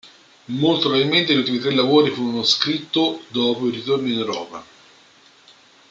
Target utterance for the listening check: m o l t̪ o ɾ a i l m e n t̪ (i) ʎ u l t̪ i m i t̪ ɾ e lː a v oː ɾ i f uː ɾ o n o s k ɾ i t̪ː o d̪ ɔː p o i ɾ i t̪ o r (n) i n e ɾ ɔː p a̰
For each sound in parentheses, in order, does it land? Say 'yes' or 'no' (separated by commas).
no, yes